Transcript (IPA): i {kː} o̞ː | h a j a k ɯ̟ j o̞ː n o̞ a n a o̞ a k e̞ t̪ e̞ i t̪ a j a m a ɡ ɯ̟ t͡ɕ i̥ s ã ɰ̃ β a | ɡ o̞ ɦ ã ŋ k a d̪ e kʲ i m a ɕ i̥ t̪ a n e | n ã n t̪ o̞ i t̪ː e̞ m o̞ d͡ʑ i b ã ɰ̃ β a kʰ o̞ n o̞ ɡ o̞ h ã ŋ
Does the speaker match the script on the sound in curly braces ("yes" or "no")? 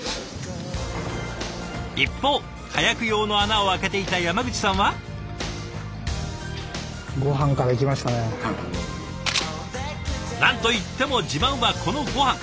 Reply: no